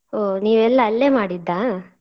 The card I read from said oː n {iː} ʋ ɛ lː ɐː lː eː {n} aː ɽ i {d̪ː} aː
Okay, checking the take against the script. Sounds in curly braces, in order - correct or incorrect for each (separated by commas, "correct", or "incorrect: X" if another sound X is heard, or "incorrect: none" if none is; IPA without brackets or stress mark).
correct, incorrect: m, correct